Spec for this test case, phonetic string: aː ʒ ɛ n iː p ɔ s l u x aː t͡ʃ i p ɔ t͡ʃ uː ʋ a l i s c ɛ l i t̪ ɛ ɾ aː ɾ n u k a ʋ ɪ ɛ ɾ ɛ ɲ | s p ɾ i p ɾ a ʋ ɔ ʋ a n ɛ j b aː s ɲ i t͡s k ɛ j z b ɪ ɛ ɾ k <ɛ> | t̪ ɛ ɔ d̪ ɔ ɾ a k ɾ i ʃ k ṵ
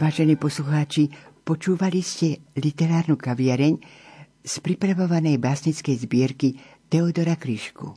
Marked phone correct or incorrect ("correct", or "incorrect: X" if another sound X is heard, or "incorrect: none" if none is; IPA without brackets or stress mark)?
incorrect: i